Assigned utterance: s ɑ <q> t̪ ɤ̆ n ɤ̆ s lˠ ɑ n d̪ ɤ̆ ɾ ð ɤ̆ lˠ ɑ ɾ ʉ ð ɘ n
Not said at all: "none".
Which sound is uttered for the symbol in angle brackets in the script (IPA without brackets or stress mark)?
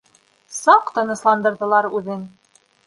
q